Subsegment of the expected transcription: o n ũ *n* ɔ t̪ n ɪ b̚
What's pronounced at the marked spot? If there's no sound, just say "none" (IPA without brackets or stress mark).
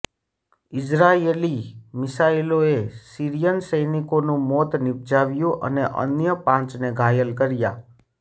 m